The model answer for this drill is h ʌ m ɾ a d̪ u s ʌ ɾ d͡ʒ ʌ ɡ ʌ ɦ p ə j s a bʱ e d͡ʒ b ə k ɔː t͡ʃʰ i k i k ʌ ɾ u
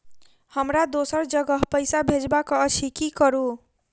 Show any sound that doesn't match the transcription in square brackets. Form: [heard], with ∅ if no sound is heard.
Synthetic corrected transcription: h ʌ m ɾ a d̪ [o] s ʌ ɾ d͡ʒ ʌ ɡ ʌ ɦ p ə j s a bʱ e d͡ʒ b [a] k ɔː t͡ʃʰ i k i k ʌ ɾ u